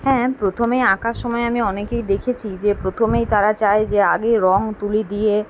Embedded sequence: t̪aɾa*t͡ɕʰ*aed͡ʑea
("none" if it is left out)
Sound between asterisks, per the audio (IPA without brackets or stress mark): t͡ɕ